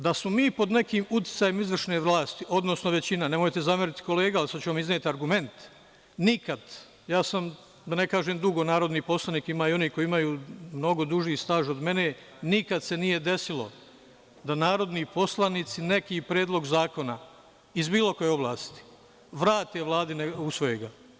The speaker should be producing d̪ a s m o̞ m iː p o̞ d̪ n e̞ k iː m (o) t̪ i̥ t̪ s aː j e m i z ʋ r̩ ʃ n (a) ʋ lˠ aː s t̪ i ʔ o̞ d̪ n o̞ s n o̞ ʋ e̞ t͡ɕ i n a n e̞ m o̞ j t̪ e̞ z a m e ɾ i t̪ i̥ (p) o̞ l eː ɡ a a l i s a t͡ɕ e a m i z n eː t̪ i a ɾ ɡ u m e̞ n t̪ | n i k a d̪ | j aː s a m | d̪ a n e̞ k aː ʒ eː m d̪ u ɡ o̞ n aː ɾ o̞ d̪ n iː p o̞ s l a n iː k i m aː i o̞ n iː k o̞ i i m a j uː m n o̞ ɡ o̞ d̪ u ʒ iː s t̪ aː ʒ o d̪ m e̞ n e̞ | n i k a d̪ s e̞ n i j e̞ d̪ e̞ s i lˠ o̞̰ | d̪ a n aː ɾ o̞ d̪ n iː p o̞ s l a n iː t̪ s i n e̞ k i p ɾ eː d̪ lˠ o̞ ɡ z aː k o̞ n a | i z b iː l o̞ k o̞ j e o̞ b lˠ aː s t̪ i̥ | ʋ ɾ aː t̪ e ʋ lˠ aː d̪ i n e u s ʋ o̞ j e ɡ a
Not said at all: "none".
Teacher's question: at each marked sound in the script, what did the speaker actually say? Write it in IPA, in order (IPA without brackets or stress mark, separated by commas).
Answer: u, e, k